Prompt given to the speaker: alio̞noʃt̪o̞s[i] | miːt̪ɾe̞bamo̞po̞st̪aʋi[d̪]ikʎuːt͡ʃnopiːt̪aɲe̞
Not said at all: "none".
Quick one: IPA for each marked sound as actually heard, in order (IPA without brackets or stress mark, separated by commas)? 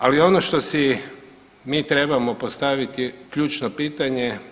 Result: i, t̪